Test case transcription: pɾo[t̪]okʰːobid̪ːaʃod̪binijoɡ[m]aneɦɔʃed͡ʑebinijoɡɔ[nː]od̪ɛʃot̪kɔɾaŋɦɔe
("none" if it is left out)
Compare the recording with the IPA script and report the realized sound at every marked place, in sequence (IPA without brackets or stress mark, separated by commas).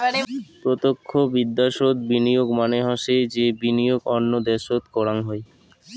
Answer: t̪, m, nː